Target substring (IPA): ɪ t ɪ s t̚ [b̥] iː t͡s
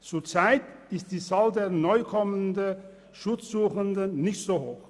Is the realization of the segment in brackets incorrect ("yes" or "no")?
yes